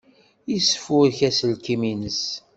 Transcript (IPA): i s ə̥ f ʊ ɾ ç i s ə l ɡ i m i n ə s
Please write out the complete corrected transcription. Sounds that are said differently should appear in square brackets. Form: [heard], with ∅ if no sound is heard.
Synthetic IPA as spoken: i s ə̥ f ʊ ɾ ç [æ] s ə l [k] i m i n ə s

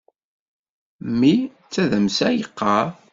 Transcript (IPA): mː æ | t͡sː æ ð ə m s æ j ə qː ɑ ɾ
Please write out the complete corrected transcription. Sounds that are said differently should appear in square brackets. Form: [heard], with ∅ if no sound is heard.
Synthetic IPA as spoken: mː [i] | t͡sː æ ð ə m s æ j ə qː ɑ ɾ

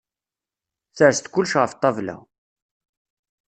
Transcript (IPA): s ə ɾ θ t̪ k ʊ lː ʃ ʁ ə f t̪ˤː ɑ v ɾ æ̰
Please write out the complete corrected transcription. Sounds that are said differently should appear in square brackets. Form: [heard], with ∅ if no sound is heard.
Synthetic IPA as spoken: [θ] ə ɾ [s] t̪ k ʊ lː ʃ ʁ ə f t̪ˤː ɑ v [l] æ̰

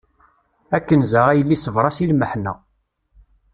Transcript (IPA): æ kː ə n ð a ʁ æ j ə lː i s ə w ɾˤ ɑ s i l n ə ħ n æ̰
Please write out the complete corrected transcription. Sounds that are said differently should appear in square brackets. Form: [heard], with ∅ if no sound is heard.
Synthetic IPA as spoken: æ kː ə n [z] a ʁ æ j ə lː i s ə [v] ɾˤ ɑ s i l [m] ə ħ n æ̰

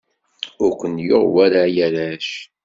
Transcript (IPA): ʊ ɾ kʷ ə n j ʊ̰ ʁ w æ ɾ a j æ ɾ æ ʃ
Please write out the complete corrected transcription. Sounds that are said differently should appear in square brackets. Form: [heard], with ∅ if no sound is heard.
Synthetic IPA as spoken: ʊ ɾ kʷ ə n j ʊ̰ ʁ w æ ɾ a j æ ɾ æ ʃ

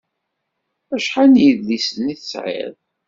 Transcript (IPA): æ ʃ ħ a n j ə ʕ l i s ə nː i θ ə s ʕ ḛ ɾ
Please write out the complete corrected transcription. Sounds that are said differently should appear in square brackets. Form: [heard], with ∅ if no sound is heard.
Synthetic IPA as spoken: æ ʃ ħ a n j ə [ð] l i s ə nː i θ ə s ʕ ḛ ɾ

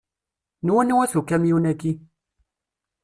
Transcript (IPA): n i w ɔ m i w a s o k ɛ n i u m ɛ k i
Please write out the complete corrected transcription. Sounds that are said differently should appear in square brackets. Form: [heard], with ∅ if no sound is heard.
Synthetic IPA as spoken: n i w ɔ [n] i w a s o k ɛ [m] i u [n] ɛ k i

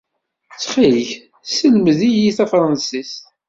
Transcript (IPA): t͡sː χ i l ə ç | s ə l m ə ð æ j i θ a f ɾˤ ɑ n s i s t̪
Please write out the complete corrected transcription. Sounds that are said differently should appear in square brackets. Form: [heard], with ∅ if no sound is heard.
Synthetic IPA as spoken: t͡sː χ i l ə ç | s ə l m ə ð [i] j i θ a f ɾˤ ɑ n s i s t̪

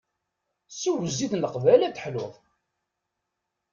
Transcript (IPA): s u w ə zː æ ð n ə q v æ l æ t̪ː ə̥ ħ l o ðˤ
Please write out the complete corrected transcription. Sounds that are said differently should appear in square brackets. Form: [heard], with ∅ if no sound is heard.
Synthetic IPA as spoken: s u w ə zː [i] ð n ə q v æ l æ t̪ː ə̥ ħ l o ðˤ

